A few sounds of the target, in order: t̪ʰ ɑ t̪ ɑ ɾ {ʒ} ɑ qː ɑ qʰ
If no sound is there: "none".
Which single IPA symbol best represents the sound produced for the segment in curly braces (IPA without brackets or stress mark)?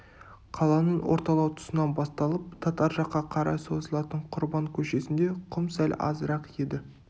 ʒ